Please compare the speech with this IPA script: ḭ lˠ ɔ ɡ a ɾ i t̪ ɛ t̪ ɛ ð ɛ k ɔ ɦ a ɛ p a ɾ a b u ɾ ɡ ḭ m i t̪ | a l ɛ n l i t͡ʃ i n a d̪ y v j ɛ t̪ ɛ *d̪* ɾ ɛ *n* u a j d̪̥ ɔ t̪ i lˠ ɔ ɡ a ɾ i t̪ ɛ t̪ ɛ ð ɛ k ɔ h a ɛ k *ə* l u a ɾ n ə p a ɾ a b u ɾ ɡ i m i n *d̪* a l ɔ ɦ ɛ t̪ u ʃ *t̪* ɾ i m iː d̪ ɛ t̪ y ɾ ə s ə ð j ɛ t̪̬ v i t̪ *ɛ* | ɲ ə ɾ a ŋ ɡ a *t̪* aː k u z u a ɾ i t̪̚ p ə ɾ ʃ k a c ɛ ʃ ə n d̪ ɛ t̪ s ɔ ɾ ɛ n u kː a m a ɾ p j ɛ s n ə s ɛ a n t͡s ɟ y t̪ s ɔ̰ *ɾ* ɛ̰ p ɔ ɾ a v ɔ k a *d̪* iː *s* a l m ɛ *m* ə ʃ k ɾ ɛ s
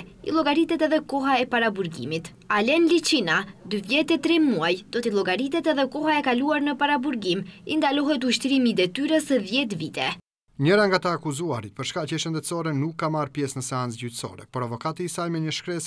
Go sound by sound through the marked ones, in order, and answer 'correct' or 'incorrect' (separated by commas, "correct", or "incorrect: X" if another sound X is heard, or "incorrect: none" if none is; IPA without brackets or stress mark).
incorrect: t̪, incorrect: m, incorrect: a, correct, correct, correct, correct, correct, incorrect: t̪, correct, incorrect: ɲ